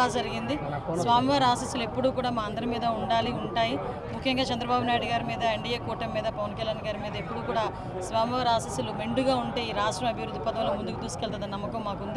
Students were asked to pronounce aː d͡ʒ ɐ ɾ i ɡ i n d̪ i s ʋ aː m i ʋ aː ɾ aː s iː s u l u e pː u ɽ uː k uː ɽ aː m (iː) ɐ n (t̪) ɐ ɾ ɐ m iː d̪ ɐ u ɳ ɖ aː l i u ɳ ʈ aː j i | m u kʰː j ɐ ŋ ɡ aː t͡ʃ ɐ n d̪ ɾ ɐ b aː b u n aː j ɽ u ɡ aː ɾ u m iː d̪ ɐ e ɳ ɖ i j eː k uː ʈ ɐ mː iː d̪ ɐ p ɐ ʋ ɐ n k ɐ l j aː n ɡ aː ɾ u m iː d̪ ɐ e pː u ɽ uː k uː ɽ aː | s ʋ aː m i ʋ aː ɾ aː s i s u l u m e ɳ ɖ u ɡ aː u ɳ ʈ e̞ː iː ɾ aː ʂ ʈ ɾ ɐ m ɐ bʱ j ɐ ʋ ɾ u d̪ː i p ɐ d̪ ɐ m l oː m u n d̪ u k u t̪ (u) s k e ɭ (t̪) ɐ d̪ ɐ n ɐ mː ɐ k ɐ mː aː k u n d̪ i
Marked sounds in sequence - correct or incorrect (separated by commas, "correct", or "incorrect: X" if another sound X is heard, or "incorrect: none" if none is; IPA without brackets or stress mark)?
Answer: incorrect: aː, incorrect: d̪, incorrect: uː, correct